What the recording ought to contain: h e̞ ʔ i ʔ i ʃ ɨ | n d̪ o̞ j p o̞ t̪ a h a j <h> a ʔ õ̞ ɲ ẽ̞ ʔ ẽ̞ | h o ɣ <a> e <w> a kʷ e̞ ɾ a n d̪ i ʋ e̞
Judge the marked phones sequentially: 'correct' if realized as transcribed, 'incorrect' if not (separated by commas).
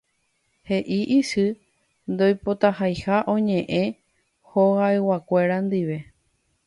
correct, correct, correct